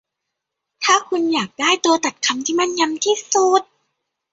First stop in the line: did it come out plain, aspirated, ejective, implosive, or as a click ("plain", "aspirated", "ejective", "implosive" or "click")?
aspirated